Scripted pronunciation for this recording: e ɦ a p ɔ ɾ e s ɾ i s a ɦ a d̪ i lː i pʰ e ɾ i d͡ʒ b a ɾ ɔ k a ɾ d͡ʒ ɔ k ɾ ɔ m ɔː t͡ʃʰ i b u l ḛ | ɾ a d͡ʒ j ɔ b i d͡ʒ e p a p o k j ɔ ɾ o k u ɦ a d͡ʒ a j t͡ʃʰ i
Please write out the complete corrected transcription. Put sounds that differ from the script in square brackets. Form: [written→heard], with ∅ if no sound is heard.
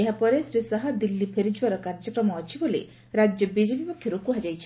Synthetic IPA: e ɦ a p ɔ ɾ e s ɾ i s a ɦ a d̪ i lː i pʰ e ɾ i d͡ʒ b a ɾ ɔ k a ɾ d͡ʒ ɔ k ɾ ɔ m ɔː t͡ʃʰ i b [u→o] l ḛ | ɾ a d͡ʒ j ɔ b i d͡ʒ e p [a→i] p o [k→kʰ] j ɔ ɾ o k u ɦ a d͡ʒ a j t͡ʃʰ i